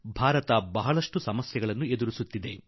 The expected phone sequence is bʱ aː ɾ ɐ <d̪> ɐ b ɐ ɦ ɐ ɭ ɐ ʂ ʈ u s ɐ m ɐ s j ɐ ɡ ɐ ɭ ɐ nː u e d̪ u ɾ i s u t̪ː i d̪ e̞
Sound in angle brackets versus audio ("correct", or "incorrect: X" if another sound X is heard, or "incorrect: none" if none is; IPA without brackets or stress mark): incorrect: t̪